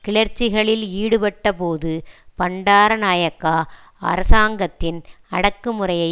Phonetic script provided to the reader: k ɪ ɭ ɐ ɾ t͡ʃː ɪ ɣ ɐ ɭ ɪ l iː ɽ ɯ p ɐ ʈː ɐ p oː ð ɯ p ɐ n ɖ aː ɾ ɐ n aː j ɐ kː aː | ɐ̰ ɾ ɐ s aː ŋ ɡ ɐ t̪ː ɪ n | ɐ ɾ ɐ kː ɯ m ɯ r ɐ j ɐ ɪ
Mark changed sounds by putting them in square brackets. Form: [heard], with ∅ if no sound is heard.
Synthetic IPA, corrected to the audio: k ɪ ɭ ɐ ɾ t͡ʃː ɪ ɣ ɐ ɭ ɪ l iː ɽ ɯ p ɐ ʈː ɐ p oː ð ɯ p ɐ [ɳ] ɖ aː ɾ ɐ n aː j ɐ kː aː | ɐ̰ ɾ ɐ s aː ŋ ɡ ɐ t̪ː ɪ n | ɐ [ɽ] ɐ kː ɯ m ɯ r ɐ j ɐ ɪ